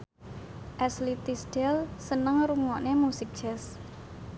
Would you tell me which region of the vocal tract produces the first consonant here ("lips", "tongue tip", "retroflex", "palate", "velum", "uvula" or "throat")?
throat